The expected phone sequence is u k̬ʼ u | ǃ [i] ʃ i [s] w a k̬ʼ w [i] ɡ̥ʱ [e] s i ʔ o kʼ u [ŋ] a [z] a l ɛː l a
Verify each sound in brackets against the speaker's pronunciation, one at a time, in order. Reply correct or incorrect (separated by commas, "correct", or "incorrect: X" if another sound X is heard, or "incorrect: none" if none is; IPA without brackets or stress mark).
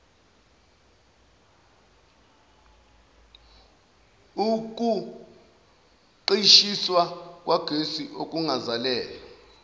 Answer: correct, correct, incorrect: a, correct, correct, correct